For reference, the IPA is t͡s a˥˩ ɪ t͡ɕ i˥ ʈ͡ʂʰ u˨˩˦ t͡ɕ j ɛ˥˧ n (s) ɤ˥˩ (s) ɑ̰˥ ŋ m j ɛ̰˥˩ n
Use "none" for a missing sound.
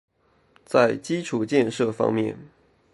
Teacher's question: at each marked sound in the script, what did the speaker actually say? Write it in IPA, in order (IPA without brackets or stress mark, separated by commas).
ʂ, f